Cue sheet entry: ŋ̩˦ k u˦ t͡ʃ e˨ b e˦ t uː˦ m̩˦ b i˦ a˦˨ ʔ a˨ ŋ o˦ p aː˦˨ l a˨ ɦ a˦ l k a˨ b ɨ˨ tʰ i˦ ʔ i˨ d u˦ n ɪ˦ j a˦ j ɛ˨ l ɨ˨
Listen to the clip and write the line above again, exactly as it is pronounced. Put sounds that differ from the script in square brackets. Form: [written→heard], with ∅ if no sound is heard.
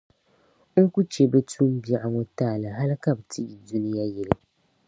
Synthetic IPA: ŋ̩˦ k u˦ t͡ʃ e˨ b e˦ t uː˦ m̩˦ b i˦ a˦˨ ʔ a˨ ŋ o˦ [p→t] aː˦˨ l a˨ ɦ a˦ l k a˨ b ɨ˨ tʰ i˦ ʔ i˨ d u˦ n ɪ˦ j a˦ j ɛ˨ l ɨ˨